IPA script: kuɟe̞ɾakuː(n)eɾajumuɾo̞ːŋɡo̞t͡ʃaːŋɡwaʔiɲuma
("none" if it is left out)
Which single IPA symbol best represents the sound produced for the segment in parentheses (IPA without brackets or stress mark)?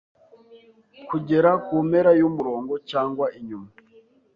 m